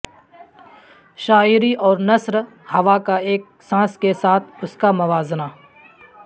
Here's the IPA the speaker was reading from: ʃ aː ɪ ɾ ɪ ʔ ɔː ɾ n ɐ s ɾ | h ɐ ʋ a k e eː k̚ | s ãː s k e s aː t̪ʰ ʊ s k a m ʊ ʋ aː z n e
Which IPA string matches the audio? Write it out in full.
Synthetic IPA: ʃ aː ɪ ɾ i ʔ ɔː ɾ n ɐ s ɾ | h ɐ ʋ a k a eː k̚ | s ãː s k e s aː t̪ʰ ʊ s k a m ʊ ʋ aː z n a